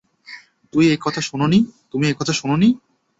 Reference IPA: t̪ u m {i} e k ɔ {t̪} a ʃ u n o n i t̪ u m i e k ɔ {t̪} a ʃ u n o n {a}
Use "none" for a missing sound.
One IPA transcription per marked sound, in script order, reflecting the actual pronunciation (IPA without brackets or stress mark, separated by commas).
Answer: i, t̪ʰ, t̪ʰ, i